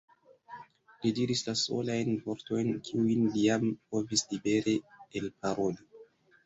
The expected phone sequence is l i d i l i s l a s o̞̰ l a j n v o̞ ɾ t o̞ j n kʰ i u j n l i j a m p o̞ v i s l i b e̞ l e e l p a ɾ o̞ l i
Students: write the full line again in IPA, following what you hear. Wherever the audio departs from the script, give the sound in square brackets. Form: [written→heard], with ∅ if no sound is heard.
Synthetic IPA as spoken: l i d i [l→ɾ] i s l a s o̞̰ l a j n v o̞ ɾ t o̞ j n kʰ i u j n l i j a m p o̞ v i s l i b e̞ [l→ɾ] e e l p a ɾ o̞ l i